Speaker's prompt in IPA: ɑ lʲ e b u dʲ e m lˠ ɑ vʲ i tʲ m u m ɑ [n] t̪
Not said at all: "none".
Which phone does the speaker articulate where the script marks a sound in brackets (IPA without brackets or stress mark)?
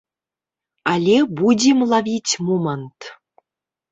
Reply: n